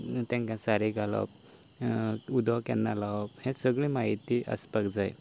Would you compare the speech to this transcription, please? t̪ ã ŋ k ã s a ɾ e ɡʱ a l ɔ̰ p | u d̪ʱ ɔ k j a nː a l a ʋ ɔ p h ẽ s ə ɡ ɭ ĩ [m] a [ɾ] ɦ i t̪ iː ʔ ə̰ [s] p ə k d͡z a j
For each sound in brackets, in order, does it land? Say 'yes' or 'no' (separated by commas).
yes, no, yes